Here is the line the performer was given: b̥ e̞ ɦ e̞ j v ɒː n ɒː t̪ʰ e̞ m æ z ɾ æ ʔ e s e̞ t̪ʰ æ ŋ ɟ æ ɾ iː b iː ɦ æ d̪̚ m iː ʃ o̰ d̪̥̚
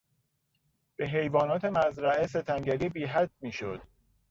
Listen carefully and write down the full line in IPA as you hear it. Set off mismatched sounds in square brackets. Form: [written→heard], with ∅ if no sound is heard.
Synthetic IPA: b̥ e̞ ɦ e̞ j v ɒː n ɒː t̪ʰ e̞ m æ z ɾ æ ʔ e s e̞ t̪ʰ æ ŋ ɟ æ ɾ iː b iː ɦ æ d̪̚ m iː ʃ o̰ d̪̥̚